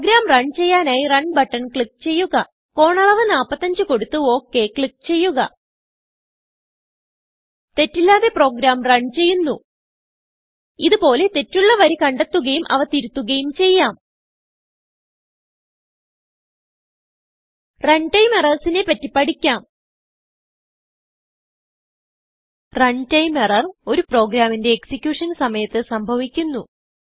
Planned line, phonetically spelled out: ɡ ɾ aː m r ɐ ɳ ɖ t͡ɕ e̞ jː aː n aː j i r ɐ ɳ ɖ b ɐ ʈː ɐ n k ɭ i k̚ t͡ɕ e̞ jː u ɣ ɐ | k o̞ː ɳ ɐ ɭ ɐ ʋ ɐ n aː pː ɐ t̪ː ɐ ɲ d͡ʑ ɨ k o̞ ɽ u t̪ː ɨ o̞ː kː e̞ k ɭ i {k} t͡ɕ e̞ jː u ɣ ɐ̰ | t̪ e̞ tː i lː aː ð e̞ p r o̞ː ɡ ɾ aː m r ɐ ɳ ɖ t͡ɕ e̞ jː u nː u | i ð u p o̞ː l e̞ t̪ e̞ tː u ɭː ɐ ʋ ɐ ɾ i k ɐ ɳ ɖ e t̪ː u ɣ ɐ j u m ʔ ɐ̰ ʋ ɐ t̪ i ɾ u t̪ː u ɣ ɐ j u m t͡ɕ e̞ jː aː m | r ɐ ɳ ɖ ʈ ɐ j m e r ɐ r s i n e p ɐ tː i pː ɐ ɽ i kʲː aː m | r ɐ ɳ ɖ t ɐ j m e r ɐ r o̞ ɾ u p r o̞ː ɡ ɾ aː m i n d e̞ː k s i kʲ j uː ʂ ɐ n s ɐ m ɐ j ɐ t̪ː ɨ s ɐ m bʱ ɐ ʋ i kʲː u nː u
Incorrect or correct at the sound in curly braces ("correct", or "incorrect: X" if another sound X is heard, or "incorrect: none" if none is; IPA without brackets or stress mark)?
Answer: correct